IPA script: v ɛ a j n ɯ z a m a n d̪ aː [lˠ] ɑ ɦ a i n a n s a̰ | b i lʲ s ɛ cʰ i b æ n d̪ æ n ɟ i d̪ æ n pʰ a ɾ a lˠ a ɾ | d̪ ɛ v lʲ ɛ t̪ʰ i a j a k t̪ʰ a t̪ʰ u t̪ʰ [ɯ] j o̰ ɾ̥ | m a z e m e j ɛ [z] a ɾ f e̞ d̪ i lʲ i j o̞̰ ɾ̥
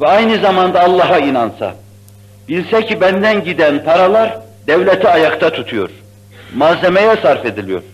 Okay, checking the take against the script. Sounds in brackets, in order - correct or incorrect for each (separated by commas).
incorrect, incorrect, incorrect